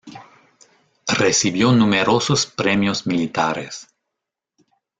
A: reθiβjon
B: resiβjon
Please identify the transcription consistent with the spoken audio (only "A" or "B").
B